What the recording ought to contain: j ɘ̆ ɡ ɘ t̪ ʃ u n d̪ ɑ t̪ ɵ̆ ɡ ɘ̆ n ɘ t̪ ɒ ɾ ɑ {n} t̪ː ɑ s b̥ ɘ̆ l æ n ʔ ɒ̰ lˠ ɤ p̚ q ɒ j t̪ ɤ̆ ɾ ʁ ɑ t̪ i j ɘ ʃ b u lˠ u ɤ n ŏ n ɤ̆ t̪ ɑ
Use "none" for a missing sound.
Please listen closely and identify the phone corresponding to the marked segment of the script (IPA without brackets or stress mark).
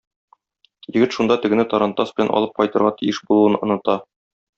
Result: n